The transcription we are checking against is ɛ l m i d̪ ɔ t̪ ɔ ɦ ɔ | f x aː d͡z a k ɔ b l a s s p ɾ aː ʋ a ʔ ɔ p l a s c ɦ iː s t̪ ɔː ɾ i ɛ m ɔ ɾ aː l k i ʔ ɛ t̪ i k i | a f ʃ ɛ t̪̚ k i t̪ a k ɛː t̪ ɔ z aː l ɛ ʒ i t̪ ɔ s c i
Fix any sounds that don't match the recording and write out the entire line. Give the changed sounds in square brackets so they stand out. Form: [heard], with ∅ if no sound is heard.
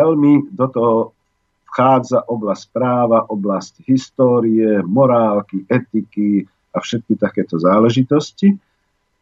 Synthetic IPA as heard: ɛ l m i d̪ ɔ t̪ ɔ ɦ ɔ | f x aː d͡z a [ʔ] ɔ b l a s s p ɾ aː ʋ a ʔ ɔ [b] l a s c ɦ [i] s t̪ ɔː ɾ i ɛ m ɔ ɾ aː l k i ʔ ɛ t̪ i k i | a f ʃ ɛ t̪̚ k i t̪ a k ɛː t̪ ɔ z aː l ɛ ʒ i t̪ ɔ s c i